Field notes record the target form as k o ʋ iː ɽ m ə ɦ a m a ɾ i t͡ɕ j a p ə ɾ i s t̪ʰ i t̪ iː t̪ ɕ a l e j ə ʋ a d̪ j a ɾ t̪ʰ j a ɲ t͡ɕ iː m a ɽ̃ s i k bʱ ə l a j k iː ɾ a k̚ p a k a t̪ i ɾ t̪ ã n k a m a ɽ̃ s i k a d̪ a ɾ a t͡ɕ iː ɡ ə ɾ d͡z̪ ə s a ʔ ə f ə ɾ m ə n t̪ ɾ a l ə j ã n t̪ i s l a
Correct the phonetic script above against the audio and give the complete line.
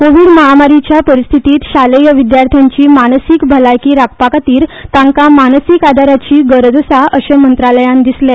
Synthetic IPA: k o ʋ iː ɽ m ə ɦ a m a ɾ i t͡ɕ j a p ə ɾ i s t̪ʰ i t̪ iː t̪ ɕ a l e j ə ʋ i d̪ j a ɾ t̪ʰ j a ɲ t͡ɕ iː m a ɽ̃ s i k bʱ ə l a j k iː ɾ a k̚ p a k a t̪ iː ɾ t̪ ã ŋ k a m a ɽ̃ s i k a d̪ a ɾ a t͡ɕ iː ɡ ə ɾ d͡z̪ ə s a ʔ ə ɕ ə m ə n t̪ ɾ a l ə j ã n d̪ i s l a

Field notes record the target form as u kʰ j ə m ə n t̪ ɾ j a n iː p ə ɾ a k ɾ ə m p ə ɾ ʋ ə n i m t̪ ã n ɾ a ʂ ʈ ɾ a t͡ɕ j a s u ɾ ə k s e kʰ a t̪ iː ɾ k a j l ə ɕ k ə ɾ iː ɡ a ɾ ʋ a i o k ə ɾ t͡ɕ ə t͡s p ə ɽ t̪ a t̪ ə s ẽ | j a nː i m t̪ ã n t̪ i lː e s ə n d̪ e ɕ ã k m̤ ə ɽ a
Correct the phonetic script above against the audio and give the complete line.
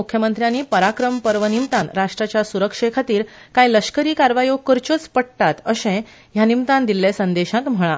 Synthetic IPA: u kʰ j ə m ə n t̪ ɾ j a n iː p ə ɾ a k ɾ ə m p ə ɾ ʋ ə n i m t̪ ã n ɾ a ʂ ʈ ɾ a t͡ɕ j a s u ɾ ə k ʂ e kʰ a t̪ iː ɾ k a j l ə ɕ k ə ɾ iː k a ɾ ʋ a j o k ə ɾ t͡ɕ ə t͡s p ə ɽ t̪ a t̪ ə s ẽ | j a n i m t̪ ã n d̪ i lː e s ə n d̪ e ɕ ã k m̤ ə ɭ a

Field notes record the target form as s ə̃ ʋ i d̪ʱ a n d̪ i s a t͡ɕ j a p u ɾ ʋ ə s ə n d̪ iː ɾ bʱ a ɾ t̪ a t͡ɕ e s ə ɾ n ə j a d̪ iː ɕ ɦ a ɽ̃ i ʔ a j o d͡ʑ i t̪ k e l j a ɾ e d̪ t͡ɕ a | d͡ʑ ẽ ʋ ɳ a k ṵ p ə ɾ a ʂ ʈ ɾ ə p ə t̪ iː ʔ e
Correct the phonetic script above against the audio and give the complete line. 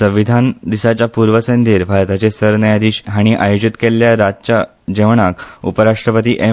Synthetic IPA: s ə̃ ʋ i d̪ʱ a n d̪ i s a t͡ɕ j a p u ɾ ʋ ə s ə n d̪ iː ɾ bʱ a ɾ t̪ a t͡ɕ e s ə ɾ n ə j a d̪ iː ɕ ɦ a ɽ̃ i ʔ a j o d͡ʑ i t̪ k e l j a ɾ a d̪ t͡ɕ a | d͡ʑ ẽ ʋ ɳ a k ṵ p ə ɾ a ʂ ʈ ɾ ə p ə t̪ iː ʔ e

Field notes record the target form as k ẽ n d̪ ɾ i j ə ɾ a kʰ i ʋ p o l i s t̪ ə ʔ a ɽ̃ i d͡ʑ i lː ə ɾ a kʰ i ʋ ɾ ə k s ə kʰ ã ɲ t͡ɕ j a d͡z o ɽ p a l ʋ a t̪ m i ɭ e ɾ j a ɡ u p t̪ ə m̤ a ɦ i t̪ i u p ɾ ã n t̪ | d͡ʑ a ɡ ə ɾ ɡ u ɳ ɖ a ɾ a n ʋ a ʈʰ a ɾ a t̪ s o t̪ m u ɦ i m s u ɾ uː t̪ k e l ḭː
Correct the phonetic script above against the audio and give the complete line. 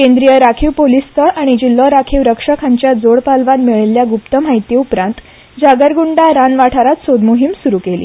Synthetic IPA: k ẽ n d̪ ɾ i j ə ɾ a kʰ i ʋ p o l i s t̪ ə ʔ a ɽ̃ i d͡ʑ i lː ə ɾ a kʰ i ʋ ɾ ə k ʂ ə kʰ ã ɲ t͡ɕ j a d͡z o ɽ p a l ʋ a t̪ m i ɭ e l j a ɡ u p t̪ ə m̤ a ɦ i t̪ i u p ɾ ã n t̪ | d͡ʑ a ɡ ə ɾ ɡ u ɳ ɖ a ɾ a n ʋ a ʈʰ a ɾ a t̪ s o d̪ m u ɦ i m s u ɾ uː k e l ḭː

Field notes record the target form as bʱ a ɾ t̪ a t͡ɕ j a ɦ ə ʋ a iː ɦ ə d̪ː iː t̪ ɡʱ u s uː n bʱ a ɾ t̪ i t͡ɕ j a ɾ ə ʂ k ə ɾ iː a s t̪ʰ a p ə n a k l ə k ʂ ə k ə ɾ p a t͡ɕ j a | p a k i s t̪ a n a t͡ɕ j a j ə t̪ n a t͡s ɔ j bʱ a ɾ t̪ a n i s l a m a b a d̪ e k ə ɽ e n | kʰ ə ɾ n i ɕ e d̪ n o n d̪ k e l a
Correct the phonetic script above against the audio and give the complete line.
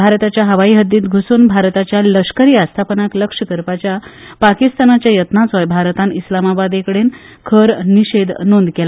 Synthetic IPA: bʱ a ɾ t̪ a t͡ɕ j a ɦ ə ʋ a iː ɦ ə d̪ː iː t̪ ɡʱ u s uː n bʱ a ɾ t̪ a t͡ɕ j a l ə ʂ k ə ɾ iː a s t̪ʰ a p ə n a k l ə k ʂ ə k ə ɾ p a t͡ɕ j a | p a k i s t̪ a n a t͡ɕ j a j ə t̪ n a t͡s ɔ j bʱ a ɾ t̪ a n i s l a m a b a d̪ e k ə ɽ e n | kʰ ə ɾ n i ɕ e d̪ n o n d̪ k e l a

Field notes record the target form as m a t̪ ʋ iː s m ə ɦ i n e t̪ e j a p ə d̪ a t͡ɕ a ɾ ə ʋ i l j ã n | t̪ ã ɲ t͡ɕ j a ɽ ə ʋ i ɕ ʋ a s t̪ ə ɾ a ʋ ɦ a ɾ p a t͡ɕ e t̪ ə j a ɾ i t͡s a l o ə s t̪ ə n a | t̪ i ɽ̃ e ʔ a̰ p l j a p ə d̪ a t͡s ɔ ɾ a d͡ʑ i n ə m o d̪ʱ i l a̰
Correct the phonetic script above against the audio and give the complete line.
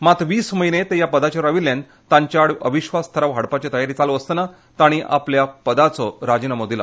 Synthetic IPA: m a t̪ ʋ iː s m ə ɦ i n e t̪ e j a p ə d̪ a t͡ɕ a ɾ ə ʋ i l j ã n | t̪ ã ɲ t͡ɕ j a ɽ ə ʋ i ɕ ʋ a s t̪ʰ ə ɾ a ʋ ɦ a ɽ p a t͡ɕ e t̪ ə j a ɾ i t͡s a l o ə s t̪ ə n a | t̪ a ɽ̃ i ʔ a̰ p l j a p ə d̪ a t͡s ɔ ɾ a d͡ʑ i n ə m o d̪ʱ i l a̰

